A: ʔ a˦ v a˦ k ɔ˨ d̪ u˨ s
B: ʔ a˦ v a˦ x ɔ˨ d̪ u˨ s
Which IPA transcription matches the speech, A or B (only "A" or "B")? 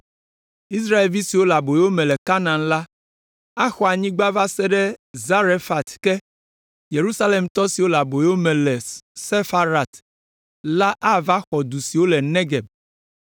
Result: B